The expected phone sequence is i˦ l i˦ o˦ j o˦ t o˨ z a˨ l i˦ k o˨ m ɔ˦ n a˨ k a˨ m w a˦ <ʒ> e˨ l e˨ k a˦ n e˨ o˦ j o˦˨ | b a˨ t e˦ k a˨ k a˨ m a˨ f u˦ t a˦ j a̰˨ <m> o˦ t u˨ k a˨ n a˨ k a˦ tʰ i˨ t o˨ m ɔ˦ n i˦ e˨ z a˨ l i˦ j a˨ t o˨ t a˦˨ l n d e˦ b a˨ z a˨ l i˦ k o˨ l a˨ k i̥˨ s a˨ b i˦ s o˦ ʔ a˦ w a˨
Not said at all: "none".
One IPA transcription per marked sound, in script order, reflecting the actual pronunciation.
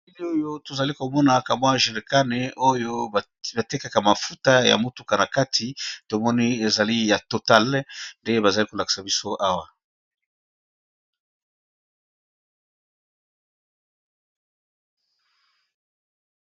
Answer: ʒ, m

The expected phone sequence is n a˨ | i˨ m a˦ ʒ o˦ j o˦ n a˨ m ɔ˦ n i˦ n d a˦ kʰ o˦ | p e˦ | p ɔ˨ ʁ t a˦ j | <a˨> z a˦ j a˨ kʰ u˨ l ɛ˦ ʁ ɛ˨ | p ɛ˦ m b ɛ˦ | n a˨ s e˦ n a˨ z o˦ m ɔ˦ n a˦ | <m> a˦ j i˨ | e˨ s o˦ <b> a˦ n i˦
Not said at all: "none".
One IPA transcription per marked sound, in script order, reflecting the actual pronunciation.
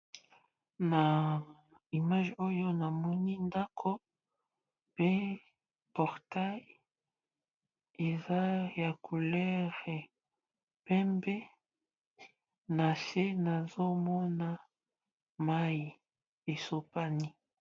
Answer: e˨, m, p

